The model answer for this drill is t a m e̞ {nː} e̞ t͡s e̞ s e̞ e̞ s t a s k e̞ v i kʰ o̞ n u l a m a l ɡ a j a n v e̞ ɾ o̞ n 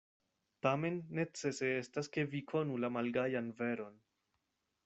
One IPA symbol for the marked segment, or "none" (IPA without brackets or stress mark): nː